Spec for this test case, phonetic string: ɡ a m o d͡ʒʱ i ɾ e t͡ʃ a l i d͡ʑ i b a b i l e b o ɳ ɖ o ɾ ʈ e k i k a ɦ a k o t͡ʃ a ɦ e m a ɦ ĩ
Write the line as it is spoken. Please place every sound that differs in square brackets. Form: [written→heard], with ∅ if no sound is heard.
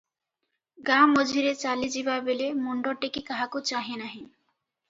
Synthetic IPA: ɡ a m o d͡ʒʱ i ɾ e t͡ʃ a l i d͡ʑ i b a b [i→e] l e [b→m] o ɳ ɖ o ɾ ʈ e k i k a ɦ a k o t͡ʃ a ɦ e [m→n] a ɦ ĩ